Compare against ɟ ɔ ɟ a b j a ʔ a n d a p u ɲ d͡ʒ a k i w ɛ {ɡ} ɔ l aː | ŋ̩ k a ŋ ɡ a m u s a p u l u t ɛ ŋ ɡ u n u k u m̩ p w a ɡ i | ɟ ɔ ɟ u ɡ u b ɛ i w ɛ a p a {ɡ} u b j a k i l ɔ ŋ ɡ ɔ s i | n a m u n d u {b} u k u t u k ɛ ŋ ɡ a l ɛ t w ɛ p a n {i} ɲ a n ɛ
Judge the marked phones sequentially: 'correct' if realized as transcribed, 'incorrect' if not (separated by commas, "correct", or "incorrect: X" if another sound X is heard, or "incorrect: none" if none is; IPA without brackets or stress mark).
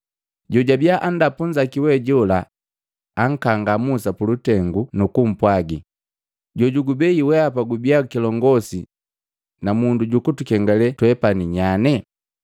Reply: incorrect: ɟ, correct, incorrect: ɟ, correct